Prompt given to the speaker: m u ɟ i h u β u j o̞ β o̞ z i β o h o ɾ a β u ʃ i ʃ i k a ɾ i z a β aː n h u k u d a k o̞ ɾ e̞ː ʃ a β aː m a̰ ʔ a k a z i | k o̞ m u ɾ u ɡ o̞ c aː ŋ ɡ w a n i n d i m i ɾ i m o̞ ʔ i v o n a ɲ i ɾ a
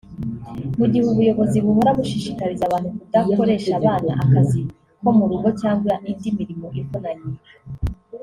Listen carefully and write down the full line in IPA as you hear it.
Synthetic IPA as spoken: m u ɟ i h u β u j o̞ β o̞ z i β u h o ɾ a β u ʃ i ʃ i k a ɾ i z a β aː n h u k u d a k o̞ ɾ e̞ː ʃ a β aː n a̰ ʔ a k a z i | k o̞ m u ɾ u ɡ o̞ c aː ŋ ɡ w a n i n d i m i ɾ i m o̞ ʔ i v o n a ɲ i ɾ a